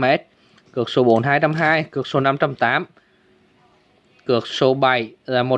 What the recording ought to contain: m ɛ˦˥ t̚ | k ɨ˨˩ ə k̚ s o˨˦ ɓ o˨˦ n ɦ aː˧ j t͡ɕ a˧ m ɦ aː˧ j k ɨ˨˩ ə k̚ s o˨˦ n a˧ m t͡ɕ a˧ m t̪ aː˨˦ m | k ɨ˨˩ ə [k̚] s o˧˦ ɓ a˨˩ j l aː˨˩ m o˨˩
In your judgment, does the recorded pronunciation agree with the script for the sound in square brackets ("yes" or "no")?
yes